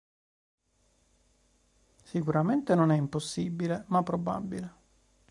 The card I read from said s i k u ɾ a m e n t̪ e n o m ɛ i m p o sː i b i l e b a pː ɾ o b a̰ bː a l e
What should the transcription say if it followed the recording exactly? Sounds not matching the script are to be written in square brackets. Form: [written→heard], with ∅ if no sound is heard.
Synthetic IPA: s i k u ɾ a m e n t̪ e n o [m→n] ɛ i m p o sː i b i l e [b→m] a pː ɾ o b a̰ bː [a→i] l e